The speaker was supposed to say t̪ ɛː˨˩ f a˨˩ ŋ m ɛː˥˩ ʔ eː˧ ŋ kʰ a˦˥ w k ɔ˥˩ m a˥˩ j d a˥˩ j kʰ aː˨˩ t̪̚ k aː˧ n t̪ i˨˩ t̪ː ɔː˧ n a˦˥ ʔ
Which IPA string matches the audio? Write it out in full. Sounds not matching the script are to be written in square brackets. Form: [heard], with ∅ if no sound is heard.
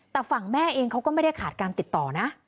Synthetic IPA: t̪ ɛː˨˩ f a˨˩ ŋ m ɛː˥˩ ʔ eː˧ ŋ kʰ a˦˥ w k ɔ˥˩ m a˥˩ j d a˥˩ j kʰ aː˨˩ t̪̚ k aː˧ n t̪ i˨˩ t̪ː [ɔː˨˩] n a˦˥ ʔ